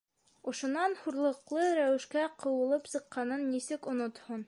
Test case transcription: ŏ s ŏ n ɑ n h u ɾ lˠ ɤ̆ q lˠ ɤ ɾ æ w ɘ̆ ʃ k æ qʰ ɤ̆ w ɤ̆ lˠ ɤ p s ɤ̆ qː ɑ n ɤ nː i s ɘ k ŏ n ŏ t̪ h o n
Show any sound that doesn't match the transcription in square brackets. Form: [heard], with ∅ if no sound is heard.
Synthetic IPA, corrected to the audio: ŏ [ʃ] ŏ n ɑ n h u ɾ lˠ ɤ̆ q lˠ ɤ ɾ æ w ɘ̆ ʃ k æ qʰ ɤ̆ w ɤ̆ lˠ ɤ p s ɤ̆ qː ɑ n ɤ nː i s ɘ k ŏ n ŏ t̪ h o n